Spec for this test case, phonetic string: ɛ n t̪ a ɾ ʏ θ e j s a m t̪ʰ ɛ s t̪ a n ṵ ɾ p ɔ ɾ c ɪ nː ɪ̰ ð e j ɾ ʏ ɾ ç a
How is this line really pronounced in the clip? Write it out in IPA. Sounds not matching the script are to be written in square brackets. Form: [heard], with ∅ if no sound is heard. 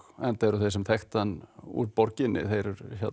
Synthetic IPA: ɛ n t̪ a ɾ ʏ θ e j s [ɛ] m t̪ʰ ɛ [x] t̪ a n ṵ ɾ p ɔ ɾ c ɪ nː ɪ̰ [θ] e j ɾ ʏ ɾ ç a